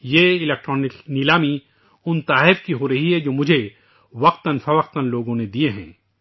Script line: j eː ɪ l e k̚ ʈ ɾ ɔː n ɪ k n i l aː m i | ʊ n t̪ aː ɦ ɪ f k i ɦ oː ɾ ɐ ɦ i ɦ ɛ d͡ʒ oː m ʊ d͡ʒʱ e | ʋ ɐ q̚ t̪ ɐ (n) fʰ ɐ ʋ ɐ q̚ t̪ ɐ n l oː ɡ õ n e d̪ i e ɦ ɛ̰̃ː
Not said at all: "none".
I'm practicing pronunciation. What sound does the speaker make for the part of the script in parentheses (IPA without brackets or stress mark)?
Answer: n